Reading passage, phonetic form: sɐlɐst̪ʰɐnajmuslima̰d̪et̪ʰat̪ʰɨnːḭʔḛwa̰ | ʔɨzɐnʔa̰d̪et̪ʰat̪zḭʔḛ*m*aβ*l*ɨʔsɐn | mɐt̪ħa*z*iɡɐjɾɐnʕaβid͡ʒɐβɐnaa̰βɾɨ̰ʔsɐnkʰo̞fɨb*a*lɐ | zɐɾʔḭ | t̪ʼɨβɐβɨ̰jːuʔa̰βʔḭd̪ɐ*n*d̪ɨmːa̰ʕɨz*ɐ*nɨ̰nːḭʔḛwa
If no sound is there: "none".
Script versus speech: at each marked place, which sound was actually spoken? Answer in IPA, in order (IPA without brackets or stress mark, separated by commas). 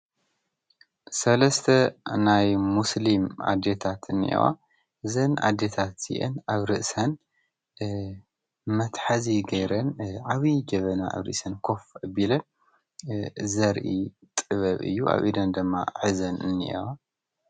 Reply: n, ɾ, z, i, n, ɐ